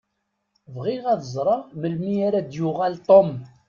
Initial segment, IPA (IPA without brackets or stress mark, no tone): v